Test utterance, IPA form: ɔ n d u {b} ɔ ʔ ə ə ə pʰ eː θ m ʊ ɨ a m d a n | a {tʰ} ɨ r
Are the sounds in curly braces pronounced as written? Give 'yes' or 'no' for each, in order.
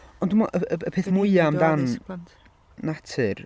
no, yes

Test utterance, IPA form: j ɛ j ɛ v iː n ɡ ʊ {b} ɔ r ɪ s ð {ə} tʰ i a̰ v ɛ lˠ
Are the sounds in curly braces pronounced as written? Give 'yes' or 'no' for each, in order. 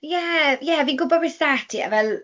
yes, no

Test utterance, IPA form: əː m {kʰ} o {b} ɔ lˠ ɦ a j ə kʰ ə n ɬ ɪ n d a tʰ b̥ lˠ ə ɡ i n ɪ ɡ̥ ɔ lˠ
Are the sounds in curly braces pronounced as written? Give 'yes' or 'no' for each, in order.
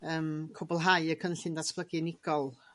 yes, yes

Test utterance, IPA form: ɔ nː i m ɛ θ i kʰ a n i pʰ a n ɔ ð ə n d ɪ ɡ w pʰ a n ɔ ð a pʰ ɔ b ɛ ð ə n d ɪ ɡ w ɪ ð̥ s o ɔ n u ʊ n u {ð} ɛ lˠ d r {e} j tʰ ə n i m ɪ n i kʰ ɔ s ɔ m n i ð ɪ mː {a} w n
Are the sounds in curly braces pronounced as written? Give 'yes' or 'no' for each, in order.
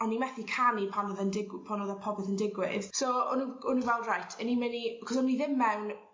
no, no, no

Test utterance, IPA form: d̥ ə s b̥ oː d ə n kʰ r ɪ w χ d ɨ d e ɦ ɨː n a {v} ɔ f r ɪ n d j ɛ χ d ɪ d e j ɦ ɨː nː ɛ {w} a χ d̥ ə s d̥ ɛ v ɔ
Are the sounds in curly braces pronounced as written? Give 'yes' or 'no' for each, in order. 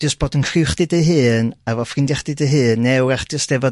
yes, yes

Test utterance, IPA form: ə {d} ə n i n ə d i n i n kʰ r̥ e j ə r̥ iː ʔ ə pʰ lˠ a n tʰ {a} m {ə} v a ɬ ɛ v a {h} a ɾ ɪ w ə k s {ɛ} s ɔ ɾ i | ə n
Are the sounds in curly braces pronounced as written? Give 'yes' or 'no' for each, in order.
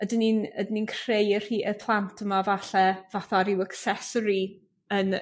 yes, no, no, no, yes

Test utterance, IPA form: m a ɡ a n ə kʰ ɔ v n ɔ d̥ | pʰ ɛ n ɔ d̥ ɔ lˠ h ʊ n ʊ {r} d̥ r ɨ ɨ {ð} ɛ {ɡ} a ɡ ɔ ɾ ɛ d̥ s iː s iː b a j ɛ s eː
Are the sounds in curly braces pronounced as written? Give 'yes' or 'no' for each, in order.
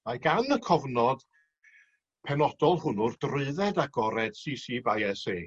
yes, yes, no

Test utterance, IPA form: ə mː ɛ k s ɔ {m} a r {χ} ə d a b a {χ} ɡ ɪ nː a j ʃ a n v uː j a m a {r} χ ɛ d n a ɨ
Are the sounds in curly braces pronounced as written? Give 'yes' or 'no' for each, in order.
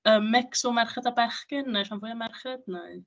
yes, yes, yes, yes

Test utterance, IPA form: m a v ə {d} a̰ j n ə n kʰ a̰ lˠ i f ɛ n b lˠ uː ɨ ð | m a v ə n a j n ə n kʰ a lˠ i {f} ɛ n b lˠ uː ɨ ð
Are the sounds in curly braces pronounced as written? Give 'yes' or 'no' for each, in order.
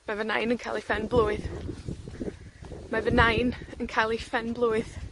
no, yes

